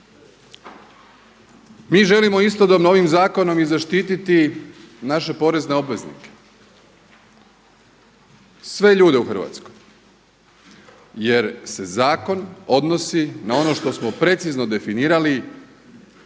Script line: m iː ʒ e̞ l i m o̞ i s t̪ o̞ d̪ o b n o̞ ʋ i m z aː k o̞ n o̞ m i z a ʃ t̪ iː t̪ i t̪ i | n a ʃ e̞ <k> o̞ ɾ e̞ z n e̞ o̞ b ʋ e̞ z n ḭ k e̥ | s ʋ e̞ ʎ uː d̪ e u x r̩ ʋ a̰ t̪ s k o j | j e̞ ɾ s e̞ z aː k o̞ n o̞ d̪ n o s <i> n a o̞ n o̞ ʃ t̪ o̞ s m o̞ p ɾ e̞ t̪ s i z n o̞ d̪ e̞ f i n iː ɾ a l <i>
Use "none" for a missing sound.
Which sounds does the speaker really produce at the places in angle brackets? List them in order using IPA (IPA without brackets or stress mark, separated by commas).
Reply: p, i, i